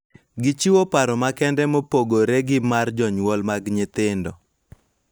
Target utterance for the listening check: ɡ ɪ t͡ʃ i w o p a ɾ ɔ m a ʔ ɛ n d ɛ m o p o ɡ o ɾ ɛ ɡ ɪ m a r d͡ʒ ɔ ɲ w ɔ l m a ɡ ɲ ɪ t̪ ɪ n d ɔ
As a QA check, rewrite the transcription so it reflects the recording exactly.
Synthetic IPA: ɡ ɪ t͡ʃ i w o p a ɾ ɔ m a k ɛ n d ɛ m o p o ɡ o ɾ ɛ ɡ ɪ m a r d͡ʒ ɔ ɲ w ɔ l m a ɡ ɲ ɪ t̪ ɪ n d ɔ

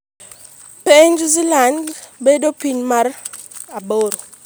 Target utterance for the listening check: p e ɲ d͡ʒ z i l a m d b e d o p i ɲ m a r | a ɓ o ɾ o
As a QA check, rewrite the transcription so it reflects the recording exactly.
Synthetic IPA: p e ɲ d͡ʒ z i l a n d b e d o p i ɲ m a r | a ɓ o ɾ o

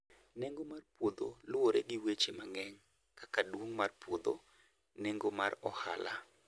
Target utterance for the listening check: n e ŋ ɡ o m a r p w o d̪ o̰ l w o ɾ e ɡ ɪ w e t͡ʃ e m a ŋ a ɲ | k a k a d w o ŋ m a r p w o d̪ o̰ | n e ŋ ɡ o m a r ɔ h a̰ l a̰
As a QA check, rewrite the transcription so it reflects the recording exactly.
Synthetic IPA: n e ŋ ɡ o m a r p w o d̪ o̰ l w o ɾ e ɡ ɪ w e t͡ʃ e m a ŋ ɛ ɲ | k a k a d w o ŋ m a r p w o d̪ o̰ | n e ŋ ɡ o m a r ɔ h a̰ l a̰

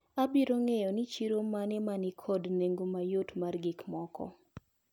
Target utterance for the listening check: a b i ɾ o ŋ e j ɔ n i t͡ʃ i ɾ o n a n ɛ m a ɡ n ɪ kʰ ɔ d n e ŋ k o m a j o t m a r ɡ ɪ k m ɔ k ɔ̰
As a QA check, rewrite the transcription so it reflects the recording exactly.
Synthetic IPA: a b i ɾ o ŋ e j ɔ n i t͡ʃ i ɾ o m a n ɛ m a n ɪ kʰ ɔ d n e ŋ ɡ o m a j o t m a r ɡ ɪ k m ɔ k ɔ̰

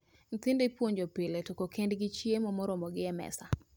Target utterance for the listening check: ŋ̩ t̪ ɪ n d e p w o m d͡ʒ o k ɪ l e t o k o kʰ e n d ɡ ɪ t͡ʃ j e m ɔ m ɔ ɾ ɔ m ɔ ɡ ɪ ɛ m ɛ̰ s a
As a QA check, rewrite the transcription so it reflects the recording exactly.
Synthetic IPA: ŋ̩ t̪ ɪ n d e p w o ɲ d͡ʒ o p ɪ l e t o k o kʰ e n d ɡ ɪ t͡ʃ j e m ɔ m ɔ ɾ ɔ m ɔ ɡ ɪ ɛ m ɛ̰ s a

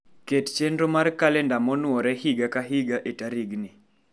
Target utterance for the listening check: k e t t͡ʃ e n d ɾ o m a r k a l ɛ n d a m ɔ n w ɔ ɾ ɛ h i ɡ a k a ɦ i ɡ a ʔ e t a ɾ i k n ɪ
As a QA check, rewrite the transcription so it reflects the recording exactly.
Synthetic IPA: k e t t͡ʃ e n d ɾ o m a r k a l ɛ n d a m ɔ n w ɔ ɾ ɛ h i ɡ a k a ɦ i ɡ a ʔ e t a ɾ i ɡ n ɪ

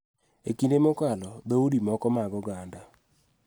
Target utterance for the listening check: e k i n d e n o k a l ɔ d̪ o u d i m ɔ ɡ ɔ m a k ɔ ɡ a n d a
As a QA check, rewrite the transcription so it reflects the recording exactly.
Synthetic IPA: e k i n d e m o k a l ɔ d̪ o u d i m ɔ k ɔ m a ɡ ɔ ɡ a n d a

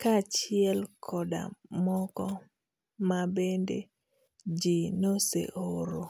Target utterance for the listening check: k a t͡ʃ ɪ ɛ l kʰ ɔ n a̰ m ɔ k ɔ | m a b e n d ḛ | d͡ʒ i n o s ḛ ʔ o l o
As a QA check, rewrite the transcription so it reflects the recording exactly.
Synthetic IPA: k a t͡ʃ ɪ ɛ l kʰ ɔ d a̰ m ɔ k ɔ | m a b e n d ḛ | d͡ʒ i n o s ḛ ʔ o ɾ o

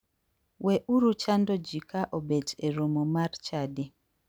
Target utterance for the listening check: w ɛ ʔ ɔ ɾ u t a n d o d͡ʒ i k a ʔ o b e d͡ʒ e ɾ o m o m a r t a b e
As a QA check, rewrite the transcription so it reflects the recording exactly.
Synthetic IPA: w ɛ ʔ u ɾ u t͡ʃ a n d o d͡ʒ i k a ʔ o b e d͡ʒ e ɾ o m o m a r t͡ʃ a d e

